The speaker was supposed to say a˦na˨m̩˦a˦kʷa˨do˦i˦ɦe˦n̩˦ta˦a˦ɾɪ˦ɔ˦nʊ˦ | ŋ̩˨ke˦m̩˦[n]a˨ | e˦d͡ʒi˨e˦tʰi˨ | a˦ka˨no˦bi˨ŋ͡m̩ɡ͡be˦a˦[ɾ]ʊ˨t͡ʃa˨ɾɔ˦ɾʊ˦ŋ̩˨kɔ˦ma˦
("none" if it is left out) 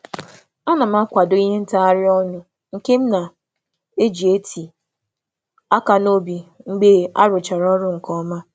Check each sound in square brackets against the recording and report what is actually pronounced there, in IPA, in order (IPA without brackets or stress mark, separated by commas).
n, ɾ